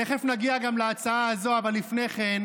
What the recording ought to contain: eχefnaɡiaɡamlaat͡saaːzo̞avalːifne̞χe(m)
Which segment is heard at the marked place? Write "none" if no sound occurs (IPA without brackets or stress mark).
n